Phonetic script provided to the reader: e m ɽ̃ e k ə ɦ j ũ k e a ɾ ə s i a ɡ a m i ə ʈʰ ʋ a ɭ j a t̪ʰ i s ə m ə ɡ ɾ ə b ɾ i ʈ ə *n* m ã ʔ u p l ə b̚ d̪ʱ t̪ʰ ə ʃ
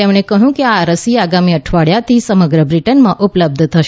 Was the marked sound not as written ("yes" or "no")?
no